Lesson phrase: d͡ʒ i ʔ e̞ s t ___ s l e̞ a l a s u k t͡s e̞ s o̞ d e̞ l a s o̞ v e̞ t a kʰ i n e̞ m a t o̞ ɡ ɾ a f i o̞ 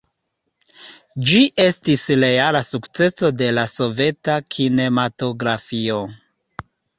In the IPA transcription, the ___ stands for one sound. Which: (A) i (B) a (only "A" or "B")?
A